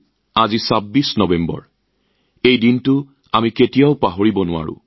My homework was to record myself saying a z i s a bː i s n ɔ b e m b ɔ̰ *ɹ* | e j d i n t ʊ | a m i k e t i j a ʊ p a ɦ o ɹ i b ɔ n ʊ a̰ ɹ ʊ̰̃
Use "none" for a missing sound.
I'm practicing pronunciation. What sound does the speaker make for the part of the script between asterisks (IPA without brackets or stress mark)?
ɹ